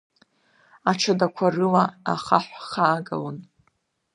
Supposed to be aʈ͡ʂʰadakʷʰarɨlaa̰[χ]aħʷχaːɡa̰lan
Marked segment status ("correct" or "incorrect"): correct